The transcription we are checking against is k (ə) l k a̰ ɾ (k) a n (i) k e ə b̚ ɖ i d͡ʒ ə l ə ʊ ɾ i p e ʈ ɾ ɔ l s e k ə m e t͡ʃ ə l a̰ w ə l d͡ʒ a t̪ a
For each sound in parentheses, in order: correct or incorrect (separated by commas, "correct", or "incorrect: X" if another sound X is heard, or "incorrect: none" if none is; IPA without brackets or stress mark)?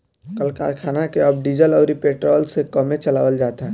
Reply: correct, incorrect: kʰ, incorrect: a